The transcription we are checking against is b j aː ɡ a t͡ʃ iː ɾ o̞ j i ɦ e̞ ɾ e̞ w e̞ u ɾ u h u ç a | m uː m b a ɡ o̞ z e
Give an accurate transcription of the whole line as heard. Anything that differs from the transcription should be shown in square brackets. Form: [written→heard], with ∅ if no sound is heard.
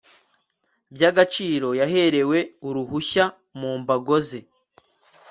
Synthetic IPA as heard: b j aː ɡ a t͡ʃ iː ɾ o̞ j [i→a] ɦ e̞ ɾ e̞ w e̞ u ɾ u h u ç a | m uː m b a ɡ o̞ z e